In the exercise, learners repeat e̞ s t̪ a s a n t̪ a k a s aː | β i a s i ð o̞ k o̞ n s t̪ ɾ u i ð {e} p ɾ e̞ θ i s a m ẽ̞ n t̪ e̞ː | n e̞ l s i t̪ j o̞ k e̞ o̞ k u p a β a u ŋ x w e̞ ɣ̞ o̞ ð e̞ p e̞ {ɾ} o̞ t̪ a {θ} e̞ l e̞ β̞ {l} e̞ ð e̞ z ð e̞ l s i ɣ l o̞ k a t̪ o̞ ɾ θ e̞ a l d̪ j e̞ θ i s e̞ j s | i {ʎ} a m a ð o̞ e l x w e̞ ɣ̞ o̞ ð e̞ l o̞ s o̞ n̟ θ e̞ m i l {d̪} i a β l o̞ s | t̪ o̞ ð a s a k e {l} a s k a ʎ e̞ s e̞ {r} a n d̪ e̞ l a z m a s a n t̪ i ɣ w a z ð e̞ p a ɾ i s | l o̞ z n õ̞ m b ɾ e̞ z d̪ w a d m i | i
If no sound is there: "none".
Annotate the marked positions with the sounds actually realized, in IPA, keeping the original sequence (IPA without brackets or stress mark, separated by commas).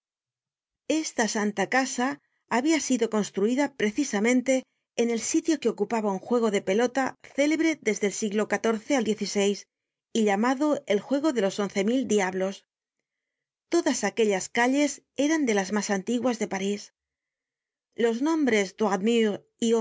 a, l, θ, ɾ, ʎ, d̪, ʎ, ɾ